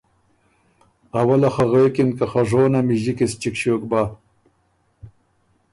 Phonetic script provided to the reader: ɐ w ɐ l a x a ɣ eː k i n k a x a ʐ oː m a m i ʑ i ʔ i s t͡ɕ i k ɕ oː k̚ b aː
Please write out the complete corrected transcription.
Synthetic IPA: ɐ w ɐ l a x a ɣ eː k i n k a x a ʐ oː n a m i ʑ i k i s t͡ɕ i k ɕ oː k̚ b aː